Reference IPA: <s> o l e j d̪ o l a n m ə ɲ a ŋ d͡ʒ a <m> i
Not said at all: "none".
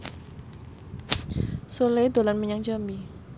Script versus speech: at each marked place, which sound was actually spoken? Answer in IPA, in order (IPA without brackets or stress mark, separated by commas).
s, m